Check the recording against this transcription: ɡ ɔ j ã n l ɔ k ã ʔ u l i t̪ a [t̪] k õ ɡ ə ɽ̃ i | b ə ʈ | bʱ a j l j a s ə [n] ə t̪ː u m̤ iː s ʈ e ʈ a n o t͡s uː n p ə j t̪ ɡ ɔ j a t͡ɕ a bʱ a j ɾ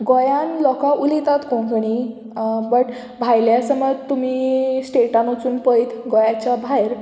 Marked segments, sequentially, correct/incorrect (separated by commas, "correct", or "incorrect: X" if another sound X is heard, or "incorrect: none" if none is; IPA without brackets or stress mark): correct, incorrect: m